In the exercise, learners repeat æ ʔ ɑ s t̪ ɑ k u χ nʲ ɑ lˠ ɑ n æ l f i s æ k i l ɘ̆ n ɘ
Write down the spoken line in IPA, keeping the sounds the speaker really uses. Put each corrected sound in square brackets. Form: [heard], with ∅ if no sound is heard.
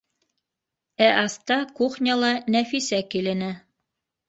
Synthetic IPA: æ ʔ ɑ s t̪ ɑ k u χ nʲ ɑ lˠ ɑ n æ [∅] f i s æ k i l ɘ̆ n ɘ